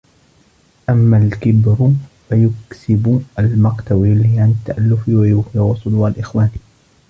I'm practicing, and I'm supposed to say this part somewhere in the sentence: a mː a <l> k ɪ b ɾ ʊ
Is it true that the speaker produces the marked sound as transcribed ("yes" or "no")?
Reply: yes